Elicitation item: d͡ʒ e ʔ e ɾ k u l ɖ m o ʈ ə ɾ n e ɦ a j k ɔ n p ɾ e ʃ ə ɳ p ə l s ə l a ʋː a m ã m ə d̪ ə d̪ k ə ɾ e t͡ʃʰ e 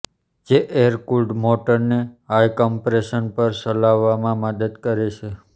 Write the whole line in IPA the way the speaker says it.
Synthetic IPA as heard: d͡ʒ e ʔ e ɾ k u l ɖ m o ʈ ə ɾ n e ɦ a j k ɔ m p ɾ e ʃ ə n p ə ɾ s ə l a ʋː a m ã m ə d̪ ə d̪ k ə ɾ e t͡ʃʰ e